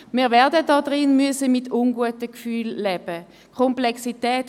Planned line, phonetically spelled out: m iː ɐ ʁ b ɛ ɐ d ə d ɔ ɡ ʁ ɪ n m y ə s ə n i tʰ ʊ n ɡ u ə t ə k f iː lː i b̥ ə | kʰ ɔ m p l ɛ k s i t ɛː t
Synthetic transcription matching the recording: m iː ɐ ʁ v ɛ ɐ d ə d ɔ d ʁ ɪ n m y ə s ə m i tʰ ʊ n ɡ u ə t ə k f yː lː ɛ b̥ ə | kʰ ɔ m p l ɛ k s i t ɛː t